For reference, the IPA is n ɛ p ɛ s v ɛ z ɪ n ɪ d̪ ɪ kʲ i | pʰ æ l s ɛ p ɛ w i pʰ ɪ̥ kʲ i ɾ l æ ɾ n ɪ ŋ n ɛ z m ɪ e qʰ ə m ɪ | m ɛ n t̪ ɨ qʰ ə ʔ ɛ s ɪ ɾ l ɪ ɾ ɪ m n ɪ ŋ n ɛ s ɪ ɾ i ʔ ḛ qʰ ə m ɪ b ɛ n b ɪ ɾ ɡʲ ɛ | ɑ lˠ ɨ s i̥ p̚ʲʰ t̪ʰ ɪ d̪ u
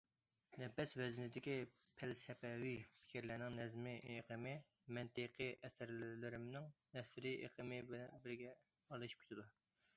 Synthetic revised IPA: n ɛ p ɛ s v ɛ z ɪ n ɪ d̪ ɪ kʲ i | pʰ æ l s ɛ p ɛ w i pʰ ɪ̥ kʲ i ɾ l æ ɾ n ɪ ŋ n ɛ z m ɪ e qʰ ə m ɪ | m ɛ n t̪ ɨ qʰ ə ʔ ɛ s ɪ ɾ l ɪ ɾ ɪ m n ɪ ŋ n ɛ s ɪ ɾ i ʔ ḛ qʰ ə m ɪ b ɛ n b ɪ ɾ ɡʲ ɛ | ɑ lˠ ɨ ʃ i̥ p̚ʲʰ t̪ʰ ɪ d̪ u